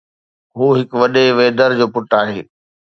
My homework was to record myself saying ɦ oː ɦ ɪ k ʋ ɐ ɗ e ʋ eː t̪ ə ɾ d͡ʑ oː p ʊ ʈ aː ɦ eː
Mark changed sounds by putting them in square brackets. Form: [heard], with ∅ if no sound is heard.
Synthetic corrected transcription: ɦ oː ɦ ɪ k ʋ ɐ ɗ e ʋ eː [d̪] ə ɾ d͡ʑ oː p ʊ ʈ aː ɦ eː